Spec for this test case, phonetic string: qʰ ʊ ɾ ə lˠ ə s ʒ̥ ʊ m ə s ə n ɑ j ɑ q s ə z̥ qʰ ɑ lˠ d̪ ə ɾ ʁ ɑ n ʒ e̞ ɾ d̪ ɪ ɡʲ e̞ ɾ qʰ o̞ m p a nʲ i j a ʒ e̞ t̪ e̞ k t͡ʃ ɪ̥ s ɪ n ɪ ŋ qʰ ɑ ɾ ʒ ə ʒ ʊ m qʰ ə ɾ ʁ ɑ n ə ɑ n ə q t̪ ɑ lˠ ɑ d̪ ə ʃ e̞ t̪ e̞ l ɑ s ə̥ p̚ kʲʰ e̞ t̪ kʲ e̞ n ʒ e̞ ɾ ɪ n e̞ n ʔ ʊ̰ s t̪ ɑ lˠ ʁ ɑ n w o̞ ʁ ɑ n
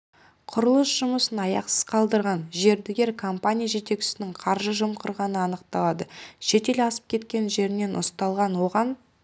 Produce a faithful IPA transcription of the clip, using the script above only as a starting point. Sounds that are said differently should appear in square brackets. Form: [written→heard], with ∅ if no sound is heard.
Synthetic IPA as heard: qʰ ʊ ɾ ə lˠ ə s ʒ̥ ʊ m ə s ə n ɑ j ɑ q s ə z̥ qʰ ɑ lˠ d̪ ə ɾ ʁ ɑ n ʒ e̞ ɾ d̪ ɪ ɡʲ e̞ ɾ [qʰ→kʰ] o̞ m p a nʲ i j a ʒ e̞ t̪ e̞ k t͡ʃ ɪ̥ s ɪ n ɪ ŋ qʰ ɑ ɾ ʒ ə ʒ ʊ m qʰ ə ɾ ʁ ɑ n ə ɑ n ə q t̪ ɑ lˠ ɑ d̪ ə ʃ e̞ t̪ e̞ l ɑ s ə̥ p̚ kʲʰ e̞ t̪ kʲ e̞ n ʒ e̞ ɾ ɪ n e̞ n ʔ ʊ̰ s t̪ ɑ lˠ ʁ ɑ n w o̞ ʁ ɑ n